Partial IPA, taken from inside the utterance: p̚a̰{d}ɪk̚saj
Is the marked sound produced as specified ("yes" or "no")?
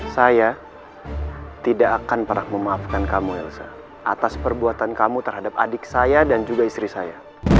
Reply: yes